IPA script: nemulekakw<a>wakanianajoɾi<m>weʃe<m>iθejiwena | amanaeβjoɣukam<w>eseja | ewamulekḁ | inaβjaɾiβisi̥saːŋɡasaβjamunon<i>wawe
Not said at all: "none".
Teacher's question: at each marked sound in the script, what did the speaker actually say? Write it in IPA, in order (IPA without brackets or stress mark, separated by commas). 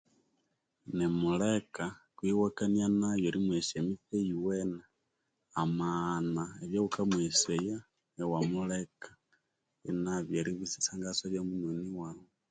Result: i, m, m, w, i